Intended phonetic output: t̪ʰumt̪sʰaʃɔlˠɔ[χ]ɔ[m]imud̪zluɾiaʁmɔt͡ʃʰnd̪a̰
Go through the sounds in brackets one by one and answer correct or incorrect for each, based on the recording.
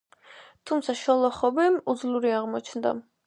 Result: correct, incorrect: b

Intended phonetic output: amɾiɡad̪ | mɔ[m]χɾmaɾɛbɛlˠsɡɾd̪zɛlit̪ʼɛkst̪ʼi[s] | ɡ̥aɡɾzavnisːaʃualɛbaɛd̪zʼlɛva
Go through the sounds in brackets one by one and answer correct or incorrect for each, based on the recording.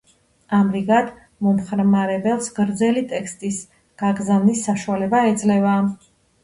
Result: correct, correct

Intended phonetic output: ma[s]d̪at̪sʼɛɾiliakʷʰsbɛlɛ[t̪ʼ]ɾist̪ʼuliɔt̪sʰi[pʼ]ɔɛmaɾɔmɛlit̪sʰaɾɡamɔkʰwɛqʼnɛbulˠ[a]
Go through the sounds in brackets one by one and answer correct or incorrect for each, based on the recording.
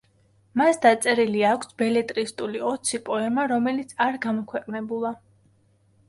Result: correct, correct, correct, correct

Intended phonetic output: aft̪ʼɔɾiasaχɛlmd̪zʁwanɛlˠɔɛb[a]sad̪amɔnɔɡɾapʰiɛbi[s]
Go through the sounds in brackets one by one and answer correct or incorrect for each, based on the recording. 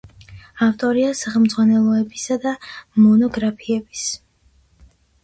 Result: incorrect: i, correct

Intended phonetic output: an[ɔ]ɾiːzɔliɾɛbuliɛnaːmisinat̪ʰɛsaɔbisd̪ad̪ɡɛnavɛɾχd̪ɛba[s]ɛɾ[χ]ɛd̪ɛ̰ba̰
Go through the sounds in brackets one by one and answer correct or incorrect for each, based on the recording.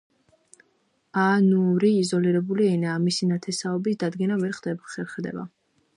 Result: incorrect: u, incorrect: χ, correct

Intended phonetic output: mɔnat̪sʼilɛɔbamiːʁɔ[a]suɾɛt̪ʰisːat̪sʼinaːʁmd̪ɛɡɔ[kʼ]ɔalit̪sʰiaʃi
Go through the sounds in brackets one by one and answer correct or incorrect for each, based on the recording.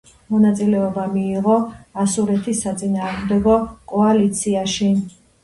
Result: correct, correct

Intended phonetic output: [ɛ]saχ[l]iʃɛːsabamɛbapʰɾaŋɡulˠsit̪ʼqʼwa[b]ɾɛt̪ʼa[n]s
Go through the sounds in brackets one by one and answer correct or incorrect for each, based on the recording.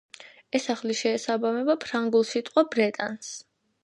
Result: correct, correct, correct, correct

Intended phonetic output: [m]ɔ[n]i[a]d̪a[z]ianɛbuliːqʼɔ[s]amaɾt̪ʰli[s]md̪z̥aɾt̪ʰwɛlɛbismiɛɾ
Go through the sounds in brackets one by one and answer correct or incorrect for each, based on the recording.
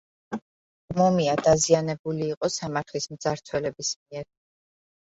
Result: correct, incorrect: m, correct, correct, correct, correct

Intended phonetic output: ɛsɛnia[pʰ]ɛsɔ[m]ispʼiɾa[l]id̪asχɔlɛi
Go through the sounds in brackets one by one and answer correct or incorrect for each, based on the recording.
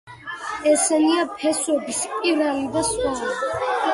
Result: correct, incorrect: b, correct

